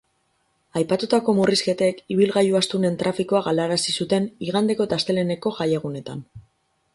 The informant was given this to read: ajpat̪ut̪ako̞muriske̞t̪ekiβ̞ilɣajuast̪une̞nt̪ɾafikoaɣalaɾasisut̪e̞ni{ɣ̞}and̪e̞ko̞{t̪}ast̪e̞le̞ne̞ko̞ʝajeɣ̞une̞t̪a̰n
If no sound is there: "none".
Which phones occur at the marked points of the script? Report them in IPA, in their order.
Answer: ɣ̞, t̪

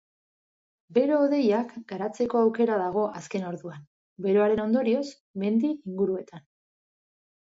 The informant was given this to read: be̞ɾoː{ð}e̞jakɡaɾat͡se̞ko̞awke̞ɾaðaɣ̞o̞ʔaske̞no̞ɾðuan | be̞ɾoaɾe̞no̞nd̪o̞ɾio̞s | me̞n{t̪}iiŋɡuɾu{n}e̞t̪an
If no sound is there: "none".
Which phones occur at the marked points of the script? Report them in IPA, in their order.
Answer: ð, d̪, none

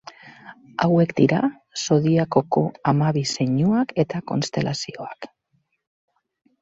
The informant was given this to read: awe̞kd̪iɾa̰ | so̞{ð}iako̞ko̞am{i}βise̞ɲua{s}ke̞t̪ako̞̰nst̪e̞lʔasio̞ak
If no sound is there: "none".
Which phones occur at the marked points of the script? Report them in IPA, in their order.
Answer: ð, a, none

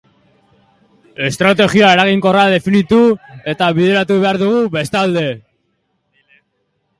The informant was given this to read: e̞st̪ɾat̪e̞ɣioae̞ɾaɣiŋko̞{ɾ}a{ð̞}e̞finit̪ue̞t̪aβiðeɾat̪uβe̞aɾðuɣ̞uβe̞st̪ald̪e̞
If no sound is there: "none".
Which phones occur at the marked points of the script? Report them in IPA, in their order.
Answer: r, ð̞

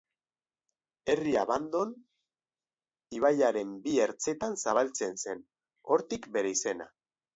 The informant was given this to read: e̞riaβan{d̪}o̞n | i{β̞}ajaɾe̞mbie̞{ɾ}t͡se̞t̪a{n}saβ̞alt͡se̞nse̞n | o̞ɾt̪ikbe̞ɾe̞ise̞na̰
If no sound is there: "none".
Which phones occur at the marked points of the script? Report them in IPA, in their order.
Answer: d̪, β̞, ɾ, n

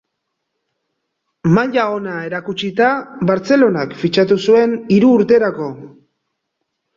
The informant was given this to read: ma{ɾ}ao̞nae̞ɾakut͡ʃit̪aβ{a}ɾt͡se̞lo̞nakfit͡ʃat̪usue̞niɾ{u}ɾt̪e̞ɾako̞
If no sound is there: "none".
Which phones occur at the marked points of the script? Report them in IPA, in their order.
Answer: ʎ, a, uː

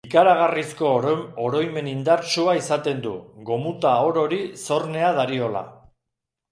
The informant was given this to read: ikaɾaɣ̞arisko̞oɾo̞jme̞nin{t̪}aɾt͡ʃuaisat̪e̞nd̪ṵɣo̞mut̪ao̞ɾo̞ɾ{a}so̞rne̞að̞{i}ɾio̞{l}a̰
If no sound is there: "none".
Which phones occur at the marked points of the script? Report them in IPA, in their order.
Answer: d̪, i, a, l

